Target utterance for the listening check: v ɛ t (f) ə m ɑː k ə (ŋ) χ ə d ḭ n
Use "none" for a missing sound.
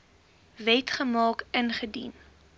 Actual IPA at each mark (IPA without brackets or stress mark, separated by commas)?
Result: χ, n